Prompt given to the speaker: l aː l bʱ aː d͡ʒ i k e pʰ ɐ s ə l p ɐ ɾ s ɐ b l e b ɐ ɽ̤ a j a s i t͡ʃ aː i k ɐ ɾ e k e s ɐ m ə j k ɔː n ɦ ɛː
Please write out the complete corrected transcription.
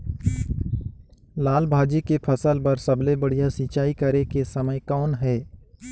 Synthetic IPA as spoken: l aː l bʱ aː d͡ʒ i k e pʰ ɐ s ə l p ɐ ɾ s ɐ b l e b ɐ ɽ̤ i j a s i t͡ʃ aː i k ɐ ɾ e k e s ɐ m ə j k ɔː n ɦ ɛː